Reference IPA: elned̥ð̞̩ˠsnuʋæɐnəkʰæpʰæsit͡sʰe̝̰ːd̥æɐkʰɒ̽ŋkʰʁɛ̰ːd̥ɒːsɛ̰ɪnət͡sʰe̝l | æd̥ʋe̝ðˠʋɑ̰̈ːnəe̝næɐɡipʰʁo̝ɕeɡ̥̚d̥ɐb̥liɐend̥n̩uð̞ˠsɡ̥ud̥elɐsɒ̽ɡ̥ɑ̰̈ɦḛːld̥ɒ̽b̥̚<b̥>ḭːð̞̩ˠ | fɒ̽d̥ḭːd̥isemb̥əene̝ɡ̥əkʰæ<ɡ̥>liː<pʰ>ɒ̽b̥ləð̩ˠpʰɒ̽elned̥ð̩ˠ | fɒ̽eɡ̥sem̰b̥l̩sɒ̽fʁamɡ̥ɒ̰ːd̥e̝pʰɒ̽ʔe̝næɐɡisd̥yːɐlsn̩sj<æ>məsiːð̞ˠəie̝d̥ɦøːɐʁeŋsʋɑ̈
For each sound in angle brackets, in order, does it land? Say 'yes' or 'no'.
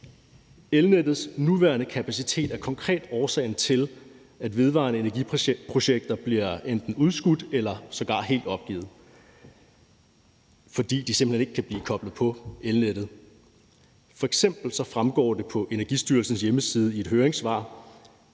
no, no, no, no

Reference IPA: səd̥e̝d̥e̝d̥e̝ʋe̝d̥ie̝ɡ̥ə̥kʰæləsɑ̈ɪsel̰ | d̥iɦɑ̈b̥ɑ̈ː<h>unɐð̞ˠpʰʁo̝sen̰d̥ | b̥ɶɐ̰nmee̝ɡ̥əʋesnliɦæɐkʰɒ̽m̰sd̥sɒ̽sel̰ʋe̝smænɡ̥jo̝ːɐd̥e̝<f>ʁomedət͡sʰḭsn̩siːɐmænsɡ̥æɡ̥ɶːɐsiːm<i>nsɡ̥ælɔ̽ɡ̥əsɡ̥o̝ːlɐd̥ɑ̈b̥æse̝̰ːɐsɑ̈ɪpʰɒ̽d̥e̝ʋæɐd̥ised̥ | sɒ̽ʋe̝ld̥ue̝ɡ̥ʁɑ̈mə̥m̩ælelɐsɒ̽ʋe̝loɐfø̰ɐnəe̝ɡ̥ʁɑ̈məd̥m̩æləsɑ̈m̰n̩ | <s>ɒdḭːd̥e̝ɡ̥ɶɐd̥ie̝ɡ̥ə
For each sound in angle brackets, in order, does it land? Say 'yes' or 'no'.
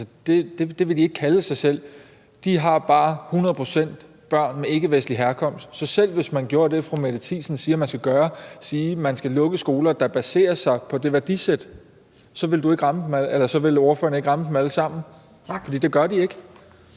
yes, yes, no, no

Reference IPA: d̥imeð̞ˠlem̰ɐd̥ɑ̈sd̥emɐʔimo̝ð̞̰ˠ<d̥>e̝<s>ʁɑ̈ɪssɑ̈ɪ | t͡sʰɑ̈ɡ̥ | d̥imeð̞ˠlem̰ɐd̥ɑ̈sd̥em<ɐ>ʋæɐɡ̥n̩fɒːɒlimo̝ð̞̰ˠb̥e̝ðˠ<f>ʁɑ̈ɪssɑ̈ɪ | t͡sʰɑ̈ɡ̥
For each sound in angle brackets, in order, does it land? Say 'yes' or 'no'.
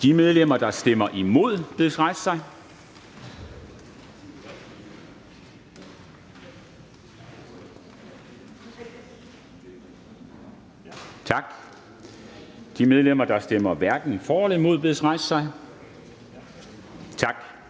no, yes, yes, no

